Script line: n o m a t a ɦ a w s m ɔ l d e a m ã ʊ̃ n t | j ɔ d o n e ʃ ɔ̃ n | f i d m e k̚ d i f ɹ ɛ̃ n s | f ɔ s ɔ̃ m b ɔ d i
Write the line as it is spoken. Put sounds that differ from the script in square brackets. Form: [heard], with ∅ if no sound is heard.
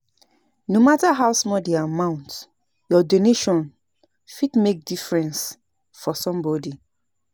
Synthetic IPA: n o m a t a ɦ a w s m ɔ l d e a m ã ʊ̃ n t | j ɔ d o n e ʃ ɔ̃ n | f i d m e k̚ d i f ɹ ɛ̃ n s | f ɔ s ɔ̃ m b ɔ d i